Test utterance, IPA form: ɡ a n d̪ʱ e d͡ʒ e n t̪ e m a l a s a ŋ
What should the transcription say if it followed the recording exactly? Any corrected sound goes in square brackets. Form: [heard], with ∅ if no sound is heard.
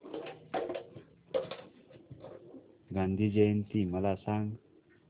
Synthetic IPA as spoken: ɡ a n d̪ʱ [i] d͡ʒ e n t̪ [i] m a l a s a ŋ